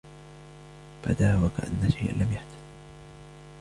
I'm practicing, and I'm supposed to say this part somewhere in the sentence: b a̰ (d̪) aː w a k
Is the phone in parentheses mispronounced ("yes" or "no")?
no